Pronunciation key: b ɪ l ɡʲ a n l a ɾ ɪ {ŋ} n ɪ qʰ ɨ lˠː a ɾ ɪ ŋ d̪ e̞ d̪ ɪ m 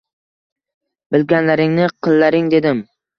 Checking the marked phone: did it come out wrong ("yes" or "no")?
no